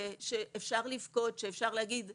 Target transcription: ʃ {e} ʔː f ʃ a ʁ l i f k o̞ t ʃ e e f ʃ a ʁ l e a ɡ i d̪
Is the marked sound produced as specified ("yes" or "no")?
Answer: yes